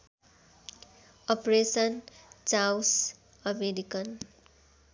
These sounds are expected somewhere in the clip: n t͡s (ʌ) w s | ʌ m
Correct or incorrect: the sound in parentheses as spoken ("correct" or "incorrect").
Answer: incorrect